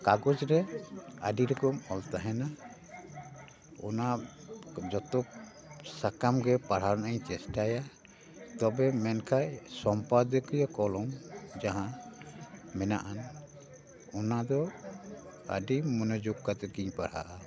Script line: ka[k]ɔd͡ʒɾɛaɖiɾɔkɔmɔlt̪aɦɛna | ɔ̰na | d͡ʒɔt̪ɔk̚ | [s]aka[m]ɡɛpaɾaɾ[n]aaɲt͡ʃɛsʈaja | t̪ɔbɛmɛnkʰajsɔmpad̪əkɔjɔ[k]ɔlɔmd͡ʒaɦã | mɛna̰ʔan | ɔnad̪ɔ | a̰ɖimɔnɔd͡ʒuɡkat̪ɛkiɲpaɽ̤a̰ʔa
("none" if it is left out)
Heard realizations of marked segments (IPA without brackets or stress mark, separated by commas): ɡ, s, m, n, k